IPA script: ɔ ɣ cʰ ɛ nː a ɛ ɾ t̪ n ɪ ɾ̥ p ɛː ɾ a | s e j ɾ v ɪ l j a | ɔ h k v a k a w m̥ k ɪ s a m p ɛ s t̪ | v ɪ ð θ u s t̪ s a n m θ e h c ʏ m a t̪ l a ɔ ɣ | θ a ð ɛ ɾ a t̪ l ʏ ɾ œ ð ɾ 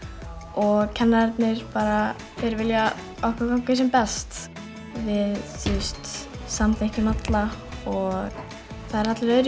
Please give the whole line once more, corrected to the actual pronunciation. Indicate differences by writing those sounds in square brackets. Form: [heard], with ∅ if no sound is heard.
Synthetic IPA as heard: ɔ ɣ cʰ ɛ nː a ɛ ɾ t̪ n ɪ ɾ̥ p [aː] ɾ a | [θ] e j ɾ v ɪ l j a | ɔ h k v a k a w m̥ k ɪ s [ɛ] m p ɛ s t̪ | v ɪ ð θ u s t̪ s a [∅] m θ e h c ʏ m a t̪ l a ɔ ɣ | θ a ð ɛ ɾ a t̪ l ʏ ɾ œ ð ɾ